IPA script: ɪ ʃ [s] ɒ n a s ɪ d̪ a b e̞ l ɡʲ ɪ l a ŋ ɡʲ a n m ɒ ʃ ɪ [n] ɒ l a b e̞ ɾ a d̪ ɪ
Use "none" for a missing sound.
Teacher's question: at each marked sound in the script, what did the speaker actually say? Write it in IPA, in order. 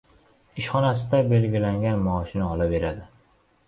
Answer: χ, n

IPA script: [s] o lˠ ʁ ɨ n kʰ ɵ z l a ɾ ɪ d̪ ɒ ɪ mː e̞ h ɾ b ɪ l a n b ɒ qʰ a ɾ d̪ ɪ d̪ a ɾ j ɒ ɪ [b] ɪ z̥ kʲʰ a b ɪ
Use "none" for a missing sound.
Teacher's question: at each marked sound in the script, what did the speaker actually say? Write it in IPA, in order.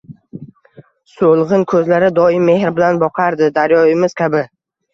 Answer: s, m

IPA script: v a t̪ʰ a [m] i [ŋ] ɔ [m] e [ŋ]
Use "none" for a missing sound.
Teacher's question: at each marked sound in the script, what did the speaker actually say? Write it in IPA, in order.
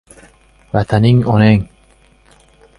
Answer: n, ŋ, n, ŋ

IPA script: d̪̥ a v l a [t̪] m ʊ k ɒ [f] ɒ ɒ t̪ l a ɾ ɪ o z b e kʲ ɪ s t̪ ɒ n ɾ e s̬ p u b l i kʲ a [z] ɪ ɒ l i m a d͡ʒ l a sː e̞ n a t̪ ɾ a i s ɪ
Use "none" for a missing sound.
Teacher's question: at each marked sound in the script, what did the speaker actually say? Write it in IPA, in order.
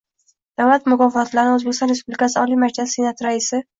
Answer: t̪, f, s

